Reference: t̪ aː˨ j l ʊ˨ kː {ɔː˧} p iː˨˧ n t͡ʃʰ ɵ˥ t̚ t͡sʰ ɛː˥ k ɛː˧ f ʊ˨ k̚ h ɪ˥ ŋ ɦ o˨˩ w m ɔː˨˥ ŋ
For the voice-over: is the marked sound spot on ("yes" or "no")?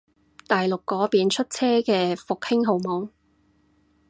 no